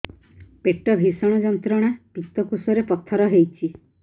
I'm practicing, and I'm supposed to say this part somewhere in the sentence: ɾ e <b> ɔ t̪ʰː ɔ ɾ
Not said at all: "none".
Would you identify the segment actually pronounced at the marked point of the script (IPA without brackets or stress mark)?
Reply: p